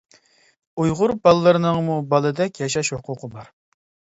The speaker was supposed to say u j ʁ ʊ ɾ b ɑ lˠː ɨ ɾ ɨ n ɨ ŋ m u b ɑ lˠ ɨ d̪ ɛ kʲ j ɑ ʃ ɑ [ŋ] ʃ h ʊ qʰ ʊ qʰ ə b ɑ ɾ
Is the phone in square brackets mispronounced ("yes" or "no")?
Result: yes